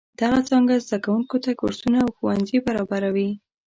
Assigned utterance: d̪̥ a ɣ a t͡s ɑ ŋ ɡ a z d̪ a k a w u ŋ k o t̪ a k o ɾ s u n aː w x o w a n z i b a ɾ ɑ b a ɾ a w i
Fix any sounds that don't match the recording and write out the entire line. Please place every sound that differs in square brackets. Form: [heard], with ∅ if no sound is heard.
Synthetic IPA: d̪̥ a ɣ a t͡s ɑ ŋ ɡ a z d̪ a k a w u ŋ k o t̪ a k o ɾ s u n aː w x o w a n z i b a ɾ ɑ b a ɾ a w i